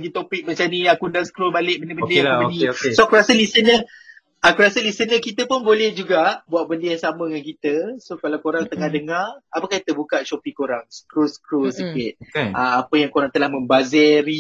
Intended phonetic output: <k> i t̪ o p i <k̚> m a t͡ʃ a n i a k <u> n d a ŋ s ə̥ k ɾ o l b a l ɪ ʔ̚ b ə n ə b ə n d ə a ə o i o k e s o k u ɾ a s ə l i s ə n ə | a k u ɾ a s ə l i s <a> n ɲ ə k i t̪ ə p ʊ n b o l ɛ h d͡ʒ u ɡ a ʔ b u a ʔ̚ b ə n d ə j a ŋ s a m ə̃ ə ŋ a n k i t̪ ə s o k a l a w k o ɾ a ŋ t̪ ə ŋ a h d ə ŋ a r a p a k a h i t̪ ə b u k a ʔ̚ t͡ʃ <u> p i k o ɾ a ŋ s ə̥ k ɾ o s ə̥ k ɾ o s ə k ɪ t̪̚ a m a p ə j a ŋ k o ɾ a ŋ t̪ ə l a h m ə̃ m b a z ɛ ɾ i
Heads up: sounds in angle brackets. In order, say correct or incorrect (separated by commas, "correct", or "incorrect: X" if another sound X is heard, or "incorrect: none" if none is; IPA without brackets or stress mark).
incorrect: ɡ, correct, correct, incorrect: ə, incorrect: o